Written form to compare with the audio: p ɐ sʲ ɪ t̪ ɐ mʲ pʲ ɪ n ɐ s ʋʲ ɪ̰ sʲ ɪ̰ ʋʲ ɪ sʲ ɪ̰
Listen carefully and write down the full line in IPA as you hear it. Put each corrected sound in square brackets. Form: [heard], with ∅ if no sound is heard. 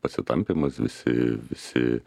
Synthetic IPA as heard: p ɐ sʲ ɪ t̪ ɐ mʲ pʲ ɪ [m] ɐ s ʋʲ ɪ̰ sʲ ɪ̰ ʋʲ ɪ sʲ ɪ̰

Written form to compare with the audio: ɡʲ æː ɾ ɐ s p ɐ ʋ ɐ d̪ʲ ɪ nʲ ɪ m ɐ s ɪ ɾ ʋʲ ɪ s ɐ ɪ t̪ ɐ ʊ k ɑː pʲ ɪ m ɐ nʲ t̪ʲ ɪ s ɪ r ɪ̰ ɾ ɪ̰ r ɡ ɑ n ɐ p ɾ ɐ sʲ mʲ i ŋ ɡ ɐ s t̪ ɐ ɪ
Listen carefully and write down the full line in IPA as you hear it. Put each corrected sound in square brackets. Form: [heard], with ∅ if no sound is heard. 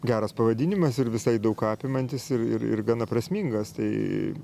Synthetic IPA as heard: ɡʲ æː ɾ ɐ s p ɐ ʋ ɐ d̪ʲ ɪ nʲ ɪ m ɐ s ɪ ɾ ʋʲ ɪ s ɐ ɪ [d̪] ɐ ʊ k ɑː pʲ ɪ m ɐ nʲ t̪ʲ ɪ s ɪ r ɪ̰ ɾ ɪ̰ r ɡ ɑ n ɐ p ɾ ɐ sʲ mʲ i ŋ ɡ ɐ s t̪ ɐ ɪ

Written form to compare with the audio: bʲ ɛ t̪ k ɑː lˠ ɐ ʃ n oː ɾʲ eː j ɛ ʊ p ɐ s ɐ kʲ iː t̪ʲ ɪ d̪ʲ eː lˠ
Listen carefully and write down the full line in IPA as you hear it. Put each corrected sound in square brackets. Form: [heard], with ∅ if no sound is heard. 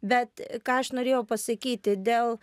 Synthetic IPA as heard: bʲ ɛ t̪ k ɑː [∅] ɐ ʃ n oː ɾʲ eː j ɛ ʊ p ɐ s ɐ kʲ iː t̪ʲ ɪ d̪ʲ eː lˠ

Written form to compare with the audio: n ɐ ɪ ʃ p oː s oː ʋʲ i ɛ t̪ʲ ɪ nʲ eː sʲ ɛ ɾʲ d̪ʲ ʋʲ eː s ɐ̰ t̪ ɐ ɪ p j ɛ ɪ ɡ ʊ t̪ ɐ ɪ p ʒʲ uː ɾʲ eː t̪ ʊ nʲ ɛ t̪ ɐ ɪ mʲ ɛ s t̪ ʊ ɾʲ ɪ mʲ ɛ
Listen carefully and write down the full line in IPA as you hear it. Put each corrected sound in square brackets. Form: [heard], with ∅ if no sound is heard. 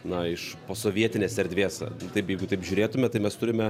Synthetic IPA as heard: n ɐ ɪ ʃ p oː s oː ʋʲ i ɛ t̪ʲ ɪ nʲ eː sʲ ɛ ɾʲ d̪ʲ ʋʲ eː s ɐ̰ t̪ ɐ ɪ p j ɛ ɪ ɡ ʊ t̪ ɐ ɪ p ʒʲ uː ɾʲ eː t̪ ʊ [mʲ] ɛ t̪ ɐ ɪ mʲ ɛ s t̪ ʊ ɾʲ ɪ mʲ ɛ

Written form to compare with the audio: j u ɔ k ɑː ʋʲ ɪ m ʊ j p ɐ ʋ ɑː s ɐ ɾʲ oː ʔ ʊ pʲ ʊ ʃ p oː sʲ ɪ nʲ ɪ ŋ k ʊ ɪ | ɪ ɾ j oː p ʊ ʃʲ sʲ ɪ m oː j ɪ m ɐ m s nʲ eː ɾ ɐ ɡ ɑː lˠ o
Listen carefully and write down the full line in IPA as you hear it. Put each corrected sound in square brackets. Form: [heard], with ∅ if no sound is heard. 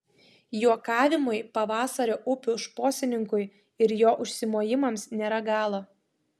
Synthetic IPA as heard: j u ɔ k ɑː ʋʲ ɪ m ʊ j p ɐ ʋ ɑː s ɐ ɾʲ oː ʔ ʊ pʲ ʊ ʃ p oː sʲ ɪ nʲ ɪ ŋ k ʊ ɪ | ɪ ɾ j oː [ʔ] ʊ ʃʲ sʲ ɪ m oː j ɪ m ɐ m s nʲ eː ɾ ɐ ɡ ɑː lˠ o

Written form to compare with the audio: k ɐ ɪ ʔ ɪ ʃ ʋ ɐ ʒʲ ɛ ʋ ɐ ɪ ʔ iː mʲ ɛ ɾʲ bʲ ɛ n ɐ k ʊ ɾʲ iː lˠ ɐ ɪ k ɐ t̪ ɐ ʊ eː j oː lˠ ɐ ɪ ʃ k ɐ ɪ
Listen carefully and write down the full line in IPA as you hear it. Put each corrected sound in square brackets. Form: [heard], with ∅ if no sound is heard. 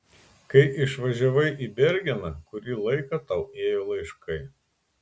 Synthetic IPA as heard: k ɐ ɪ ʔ ɪ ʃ ʋ ɐ ʒʲ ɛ ʋ ɐ ɪ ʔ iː [bʲ] ɛ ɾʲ [ɡʲ] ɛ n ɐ k ʊ ɾʲ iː lˠ ɐ ɪ k ɐ t̪ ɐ ʊ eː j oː lˠ ɐ ɪ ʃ k ɐ ɪ

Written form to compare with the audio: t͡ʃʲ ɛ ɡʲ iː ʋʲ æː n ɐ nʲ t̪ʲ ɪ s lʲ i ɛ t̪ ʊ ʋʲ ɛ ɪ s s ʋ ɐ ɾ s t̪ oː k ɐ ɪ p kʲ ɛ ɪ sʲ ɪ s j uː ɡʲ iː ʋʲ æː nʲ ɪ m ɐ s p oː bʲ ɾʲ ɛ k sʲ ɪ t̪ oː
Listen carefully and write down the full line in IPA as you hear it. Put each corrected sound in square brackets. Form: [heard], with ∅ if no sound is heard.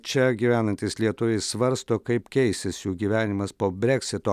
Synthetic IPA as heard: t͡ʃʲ ɛ ɡʲ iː ʋʲ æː n ɐ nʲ t̪ʲ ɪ s lʲ i ɛ t̪ ʊ ʋʲ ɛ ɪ s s ʋ ɐ ɾ s t̪ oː k ɐ ɪ p kʲ ɛ ɪ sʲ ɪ s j uː ɡʲ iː ʋʲ æː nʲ ɪ m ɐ s p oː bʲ ɾʲ ɛ k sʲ ɪ t̪ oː

